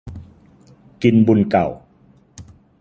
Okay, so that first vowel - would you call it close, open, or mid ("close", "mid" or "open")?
close